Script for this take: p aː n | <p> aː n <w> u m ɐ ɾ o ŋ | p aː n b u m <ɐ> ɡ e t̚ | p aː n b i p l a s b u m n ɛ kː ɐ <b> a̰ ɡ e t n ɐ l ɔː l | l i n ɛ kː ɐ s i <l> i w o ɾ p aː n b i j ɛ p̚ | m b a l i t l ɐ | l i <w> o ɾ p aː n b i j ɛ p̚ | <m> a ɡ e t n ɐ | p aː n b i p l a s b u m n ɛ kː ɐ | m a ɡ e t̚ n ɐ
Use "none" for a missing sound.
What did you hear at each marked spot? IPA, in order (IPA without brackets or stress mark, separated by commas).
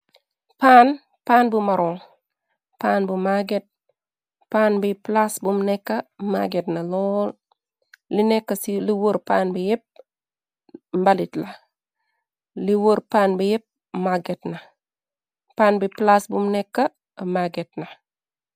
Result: p, b, a, m, l, w, m